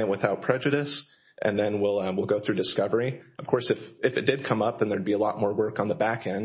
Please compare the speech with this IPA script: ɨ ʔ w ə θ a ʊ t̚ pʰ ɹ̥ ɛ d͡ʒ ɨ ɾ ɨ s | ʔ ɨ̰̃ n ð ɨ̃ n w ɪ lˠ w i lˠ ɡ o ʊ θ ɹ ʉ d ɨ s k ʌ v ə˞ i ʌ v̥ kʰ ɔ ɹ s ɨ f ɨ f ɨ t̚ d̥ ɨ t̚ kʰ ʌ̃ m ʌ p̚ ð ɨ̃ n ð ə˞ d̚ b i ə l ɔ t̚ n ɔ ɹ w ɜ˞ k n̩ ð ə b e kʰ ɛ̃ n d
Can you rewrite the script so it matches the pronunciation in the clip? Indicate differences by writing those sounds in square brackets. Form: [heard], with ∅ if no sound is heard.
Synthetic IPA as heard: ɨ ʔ w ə θ a ʊ t̚ pʰ ɹ̥ ɛ d͡ʒ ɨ ɾ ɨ s | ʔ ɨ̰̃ n ð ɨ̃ n w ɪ lˠ w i lˠ ɡ o ʊ θ ɹ ʉ d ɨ s k ʌ v ə˞ i ʌ v̥ kʰ ɔ ɹ s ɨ f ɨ f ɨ t̚ d̥ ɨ [d̚] kʰ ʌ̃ m ʌ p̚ ð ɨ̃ n ð ə˞ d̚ b i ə l ɔ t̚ [m] ɔ ɹ w ɜ˞ k n̩ ð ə b [æ] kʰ ɛ̃ n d